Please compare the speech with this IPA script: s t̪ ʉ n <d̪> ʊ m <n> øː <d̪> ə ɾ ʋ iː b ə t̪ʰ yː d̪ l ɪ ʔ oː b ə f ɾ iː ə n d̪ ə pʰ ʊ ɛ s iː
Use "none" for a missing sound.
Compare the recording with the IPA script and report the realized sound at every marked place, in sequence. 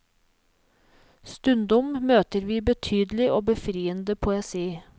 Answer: d̪, m, t̪

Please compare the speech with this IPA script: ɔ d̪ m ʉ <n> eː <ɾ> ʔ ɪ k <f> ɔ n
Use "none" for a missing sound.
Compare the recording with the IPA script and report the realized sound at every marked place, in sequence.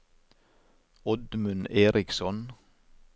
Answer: n, ɾ, s

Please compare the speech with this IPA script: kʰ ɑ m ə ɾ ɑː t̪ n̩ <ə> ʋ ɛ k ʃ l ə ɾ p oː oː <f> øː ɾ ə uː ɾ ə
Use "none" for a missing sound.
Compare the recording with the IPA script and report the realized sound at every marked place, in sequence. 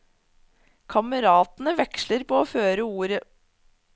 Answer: ə, f

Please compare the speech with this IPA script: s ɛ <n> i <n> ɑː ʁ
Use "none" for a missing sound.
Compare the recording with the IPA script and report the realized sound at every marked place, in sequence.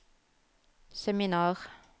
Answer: m, n

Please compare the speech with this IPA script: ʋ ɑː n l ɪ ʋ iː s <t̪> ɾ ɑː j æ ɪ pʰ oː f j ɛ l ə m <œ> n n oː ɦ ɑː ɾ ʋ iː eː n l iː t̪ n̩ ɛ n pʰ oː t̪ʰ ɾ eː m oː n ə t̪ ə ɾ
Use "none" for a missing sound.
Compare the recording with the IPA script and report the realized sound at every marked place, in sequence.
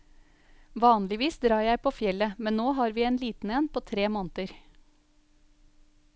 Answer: d̪, ɛ

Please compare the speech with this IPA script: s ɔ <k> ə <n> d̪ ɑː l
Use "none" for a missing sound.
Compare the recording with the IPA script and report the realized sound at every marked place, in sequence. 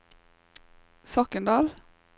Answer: k, n

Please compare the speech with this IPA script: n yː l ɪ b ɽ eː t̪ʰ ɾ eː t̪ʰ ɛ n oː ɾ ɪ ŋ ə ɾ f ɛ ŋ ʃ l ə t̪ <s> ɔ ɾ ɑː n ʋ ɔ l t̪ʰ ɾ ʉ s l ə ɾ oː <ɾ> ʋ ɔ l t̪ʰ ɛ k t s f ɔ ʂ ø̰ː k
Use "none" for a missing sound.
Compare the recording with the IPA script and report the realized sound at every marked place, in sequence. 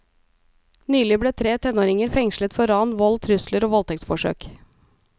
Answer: f, none

